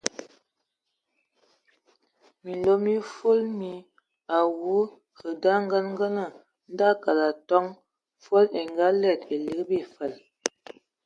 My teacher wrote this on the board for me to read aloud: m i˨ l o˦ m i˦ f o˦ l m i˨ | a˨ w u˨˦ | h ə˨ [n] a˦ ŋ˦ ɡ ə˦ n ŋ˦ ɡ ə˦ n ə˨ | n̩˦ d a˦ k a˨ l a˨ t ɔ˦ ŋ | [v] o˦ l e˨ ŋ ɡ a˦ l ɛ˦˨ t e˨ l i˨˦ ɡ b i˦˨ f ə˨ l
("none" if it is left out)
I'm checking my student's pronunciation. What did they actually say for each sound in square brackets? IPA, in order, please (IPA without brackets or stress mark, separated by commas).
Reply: d, f